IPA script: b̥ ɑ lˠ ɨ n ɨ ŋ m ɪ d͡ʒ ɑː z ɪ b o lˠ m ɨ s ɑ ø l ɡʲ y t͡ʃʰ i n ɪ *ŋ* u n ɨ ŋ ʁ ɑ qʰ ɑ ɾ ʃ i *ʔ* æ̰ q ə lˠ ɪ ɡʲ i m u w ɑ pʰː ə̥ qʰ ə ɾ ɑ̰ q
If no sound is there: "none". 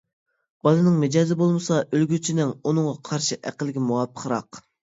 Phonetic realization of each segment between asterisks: ŋ, ʔ

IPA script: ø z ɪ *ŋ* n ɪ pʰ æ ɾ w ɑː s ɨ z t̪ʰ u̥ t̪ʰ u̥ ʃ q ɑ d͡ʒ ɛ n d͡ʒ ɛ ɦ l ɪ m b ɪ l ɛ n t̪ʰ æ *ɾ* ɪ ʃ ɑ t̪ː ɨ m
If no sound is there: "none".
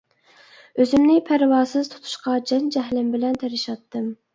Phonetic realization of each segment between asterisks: m, ɾ

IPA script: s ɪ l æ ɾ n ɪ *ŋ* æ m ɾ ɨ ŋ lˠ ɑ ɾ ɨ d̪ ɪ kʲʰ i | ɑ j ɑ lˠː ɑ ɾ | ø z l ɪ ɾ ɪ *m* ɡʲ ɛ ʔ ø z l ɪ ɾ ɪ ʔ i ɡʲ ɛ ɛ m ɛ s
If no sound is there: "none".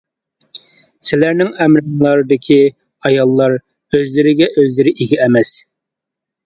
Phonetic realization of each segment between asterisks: ŋ, none

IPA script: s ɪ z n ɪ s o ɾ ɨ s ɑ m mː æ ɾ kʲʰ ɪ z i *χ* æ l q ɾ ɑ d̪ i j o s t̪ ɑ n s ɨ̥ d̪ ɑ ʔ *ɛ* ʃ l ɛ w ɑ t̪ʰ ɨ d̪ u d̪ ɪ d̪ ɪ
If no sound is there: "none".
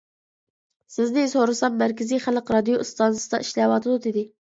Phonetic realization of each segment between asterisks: χ, i

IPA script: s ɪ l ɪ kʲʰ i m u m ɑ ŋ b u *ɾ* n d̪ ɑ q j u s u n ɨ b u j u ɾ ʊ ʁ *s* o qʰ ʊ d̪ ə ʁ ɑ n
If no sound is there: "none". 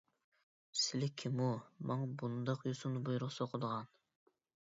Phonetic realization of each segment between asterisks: none, s

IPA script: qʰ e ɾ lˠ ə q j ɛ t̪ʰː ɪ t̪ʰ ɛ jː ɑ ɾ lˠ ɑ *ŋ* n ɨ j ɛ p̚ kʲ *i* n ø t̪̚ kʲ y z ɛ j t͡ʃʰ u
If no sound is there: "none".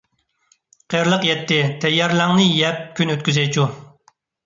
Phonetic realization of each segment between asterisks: ŋ, y

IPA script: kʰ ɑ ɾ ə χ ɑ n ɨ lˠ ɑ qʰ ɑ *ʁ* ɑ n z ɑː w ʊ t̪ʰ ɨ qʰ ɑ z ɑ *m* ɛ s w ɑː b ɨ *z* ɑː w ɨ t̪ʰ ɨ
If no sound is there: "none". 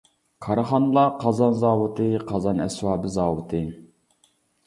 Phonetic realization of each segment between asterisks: z, n, z

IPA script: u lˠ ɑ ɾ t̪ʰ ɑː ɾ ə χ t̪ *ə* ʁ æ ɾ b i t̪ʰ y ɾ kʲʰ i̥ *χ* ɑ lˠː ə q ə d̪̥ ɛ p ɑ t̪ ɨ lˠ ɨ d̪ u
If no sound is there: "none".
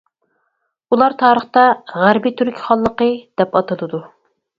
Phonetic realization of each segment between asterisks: ɑ, χ

